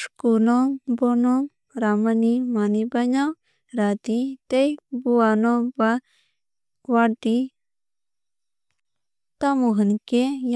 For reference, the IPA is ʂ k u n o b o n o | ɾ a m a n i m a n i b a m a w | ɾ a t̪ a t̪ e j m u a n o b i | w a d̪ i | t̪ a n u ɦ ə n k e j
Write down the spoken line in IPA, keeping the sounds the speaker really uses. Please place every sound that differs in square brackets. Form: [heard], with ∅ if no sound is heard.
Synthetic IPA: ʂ k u n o b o n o | ɾ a m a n i m a n i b a [ɲ] a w | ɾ a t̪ [i] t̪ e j [b] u a n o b [a] | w a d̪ i | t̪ a [m] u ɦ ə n k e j